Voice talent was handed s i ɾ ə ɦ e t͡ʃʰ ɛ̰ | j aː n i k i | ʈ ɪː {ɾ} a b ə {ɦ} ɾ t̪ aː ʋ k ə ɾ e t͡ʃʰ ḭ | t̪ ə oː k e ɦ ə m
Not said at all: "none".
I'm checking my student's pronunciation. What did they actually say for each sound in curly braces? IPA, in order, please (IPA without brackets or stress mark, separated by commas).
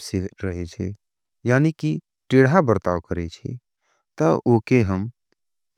ɽ, none